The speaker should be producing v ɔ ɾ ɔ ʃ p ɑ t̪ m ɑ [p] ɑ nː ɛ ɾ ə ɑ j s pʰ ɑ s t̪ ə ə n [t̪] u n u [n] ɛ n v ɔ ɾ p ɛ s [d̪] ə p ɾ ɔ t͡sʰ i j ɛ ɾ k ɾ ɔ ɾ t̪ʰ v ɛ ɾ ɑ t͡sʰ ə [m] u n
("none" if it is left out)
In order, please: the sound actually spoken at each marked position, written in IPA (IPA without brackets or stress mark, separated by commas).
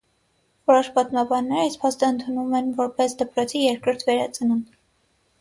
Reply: b, t̪ʰ, m, d̪, n